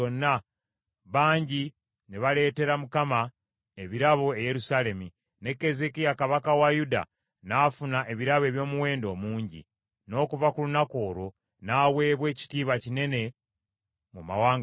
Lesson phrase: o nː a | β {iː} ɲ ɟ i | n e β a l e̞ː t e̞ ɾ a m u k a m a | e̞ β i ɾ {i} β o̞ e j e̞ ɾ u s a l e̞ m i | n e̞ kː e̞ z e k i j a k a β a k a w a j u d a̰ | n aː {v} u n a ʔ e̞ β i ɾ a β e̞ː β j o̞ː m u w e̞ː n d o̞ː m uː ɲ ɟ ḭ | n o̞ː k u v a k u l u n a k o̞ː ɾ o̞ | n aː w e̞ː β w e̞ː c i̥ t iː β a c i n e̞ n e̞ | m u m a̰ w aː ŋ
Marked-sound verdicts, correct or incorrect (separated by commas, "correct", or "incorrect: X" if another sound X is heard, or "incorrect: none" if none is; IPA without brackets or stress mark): incorrect: aː, incorrect: a, incorrect: f